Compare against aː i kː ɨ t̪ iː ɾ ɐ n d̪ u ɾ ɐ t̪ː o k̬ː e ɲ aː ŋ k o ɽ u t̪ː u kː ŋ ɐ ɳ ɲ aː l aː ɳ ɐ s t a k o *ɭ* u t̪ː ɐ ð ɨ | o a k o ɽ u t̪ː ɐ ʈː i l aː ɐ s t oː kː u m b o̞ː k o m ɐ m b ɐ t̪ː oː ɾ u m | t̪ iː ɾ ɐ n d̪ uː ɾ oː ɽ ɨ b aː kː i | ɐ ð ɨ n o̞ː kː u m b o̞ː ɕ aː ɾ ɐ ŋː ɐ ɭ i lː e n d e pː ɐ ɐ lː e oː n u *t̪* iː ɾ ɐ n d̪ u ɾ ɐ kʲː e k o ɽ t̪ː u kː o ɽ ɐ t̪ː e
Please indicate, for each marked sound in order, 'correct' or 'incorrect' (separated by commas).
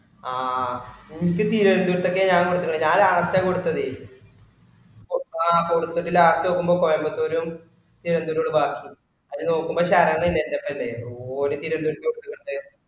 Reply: incorrect, correct